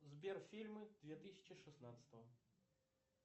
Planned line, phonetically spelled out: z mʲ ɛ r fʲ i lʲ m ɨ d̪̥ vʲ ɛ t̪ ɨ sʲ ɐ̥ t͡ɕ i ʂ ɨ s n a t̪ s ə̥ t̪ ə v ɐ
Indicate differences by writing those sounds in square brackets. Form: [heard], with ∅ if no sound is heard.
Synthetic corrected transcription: z [bʲ] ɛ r fʲ i lʲ m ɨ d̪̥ vʲ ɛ t̪ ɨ sʲ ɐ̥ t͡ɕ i ʂ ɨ s n a t̪ s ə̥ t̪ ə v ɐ